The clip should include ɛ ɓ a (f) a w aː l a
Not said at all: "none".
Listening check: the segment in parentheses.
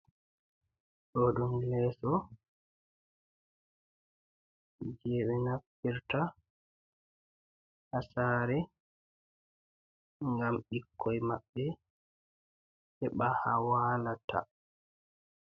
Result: h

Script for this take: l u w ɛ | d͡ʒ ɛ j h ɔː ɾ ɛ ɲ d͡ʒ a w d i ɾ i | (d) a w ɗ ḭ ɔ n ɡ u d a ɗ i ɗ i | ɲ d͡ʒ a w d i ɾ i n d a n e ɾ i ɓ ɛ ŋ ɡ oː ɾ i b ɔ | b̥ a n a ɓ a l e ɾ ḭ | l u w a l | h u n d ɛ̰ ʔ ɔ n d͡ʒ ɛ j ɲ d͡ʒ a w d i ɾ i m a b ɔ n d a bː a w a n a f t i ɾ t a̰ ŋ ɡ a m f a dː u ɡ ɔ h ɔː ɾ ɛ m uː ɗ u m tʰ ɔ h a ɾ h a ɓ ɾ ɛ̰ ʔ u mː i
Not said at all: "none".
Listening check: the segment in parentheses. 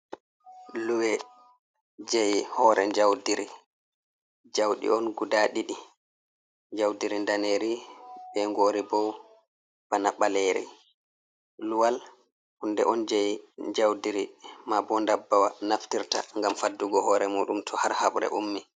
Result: d͡ʒ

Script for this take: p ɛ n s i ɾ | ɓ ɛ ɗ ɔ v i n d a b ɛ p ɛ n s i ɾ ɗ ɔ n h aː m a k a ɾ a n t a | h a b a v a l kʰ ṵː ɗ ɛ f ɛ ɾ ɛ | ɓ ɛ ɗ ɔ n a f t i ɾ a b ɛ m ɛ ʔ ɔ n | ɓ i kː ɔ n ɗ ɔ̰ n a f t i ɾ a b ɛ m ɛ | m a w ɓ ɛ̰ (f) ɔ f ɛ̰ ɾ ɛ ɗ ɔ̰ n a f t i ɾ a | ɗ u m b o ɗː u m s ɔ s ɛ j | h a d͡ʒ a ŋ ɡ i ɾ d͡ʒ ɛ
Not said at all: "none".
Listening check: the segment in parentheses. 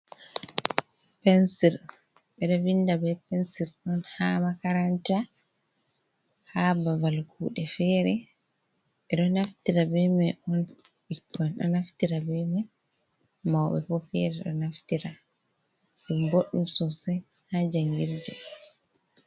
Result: f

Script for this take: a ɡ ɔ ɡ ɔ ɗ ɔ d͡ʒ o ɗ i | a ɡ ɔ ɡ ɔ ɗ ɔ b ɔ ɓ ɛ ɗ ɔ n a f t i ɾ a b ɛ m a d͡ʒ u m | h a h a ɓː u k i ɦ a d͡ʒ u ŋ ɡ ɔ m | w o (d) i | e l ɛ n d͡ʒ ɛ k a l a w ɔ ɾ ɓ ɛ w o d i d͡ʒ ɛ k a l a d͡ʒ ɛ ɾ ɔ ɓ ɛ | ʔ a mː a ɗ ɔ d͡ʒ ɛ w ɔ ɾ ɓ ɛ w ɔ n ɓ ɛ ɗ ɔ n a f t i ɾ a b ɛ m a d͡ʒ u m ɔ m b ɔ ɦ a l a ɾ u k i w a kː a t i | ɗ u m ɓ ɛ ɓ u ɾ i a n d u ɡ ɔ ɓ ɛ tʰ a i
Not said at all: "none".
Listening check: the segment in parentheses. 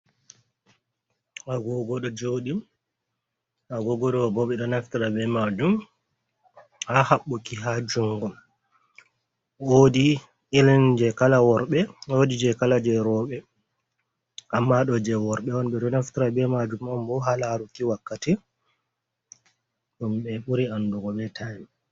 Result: d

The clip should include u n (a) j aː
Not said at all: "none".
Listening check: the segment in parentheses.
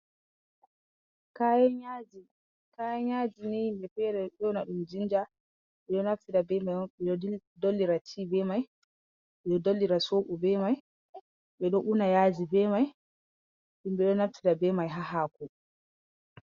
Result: a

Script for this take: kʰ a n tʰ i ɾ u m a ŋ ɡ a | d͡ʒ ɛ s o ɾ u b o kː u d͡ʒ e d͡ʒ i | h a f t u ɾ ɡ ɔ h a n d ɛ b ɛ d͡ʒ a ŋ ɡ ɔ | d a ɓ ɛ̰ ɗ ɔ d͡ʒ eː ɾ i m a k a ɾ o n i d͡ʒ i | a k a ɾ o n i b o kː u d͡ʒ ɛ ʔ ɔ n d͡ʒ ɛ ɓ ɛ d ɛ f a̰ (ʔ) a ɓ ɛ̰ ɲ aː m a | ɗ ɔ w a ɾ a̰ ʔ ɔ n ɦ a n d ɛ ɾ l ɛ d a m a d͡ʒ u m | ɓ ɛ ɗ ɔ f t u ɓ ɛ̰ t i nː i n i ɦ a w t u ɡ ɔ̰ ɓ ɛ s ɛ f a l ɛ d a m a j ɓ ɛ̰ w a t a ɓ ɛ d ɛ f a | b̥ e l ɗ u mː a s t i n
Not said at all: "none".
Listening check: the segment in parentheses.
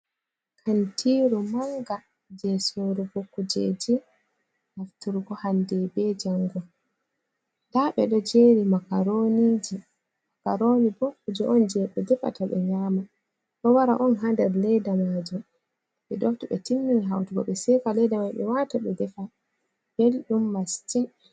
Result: t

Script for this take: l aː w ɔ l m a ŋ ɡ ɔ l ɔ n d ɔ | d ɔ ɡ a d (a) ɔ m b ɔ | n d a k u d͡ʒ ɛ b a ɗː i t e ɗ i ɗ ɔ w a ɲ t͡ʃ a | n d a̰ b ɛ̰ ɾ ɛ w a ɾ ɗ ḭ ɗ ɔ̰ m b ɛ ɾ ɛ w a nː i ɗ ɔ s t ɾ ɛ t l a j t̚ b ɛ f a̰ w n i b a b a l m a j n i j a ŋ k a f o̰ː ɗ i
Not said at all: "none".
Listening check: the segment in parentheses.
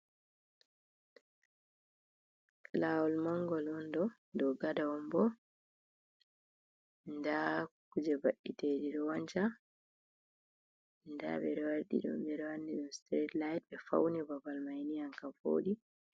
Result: a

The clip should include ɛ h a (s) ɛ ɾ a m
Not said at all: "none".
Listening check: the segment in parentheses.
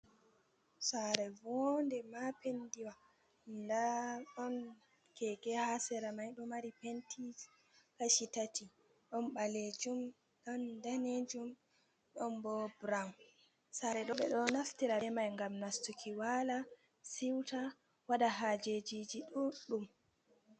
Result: s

